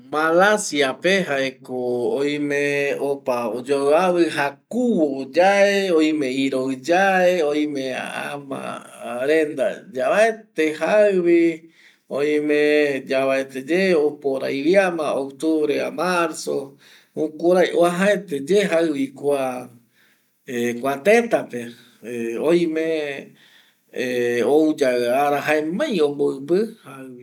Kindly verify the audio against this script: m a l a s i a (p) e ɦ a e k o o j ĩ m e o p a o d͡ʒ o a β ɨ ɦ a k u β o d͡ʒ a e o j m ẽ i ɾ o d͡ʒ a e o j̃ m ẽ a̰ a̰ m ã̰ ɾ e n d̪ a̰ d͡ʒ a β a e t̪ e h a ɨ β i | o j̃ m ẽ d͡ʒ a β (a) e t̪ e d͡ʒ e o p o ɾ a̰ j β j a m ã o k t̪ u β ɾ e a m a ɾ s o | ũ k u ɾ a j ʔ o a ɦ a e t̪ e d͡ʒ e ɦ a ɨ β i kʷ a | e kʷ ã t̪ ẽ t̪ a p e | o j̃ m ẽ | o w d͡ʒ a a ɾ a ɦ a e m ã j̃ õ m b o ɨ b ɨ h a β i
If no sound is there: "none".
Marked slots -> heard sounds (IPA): p, a

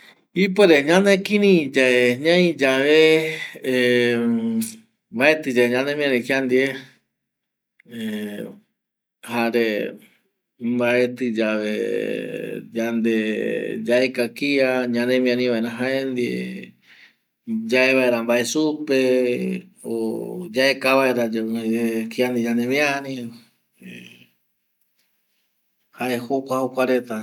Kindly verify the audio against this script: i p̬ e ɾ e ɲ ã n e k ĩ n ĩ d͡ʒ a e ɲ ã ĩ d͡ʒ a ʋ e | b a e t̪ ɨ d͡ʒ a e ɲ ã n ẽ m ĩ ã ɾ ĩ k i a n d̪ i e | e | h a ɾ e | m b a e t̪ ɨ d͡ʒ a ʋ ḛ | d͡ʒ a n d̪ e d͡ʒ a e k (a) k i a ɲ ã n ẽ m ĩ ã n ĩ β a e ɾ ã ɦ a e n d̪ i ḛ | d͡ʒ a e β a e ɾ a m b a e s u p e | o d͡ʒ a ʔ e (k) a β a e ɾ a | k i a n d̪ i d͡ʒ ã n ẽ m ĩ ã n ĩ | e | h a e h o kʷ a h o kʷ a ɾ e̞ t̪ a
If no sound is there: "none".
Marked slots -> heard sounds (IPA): a, k

